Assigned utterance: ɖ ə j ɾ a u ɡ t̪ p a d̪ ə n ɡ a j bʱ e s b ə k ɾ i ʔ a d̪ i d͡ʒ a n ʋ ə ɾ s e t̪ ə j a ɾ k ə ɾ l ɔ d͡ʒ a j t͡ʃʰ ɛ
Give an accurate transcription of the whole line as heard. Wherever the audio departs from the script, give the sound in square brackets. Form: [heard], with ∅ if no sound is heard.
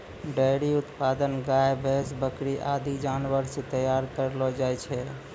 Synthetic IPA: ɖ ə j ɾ [i] u [∅] t̪ p a d̪ ə n ɡ a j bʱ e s b ə k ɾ i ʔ a d̪ i d͡ʒ a n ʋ ə ɾ s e t̪ ə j a ɾ k ə ɾ l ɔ d͡ʒ a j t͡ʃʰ ɛ